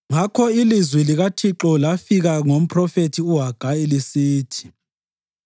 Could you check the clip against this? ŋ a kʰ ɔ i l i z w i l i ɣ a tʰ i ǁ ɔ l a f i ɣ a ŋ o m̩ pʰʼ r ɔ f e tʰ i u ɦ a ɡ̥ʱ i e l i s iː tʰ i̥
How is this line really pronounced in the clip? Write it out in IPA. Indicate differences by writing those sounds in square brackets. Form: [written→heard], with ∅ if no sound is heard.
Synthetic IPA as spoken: ŋ a kʰ ɔ i l i z w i l i ɣ a tʰ i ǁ ɔ l a f i ɣ a ŋ o m̩ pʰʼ r ɔ f e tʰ i u ɦ a ɡ̥ʱ [i→a] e l i s iː tʰ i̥